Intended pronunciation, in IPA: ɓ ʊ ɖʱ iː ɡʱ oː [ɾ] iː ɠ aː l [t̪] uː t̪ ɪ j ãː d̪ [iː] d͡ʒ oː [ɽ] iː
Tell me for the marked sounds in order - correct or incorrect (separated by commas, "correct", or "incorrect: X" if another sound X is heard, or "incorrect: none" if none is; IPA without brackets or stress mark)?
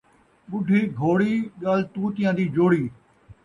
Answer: incorrect: ɽ, correct, correct, correct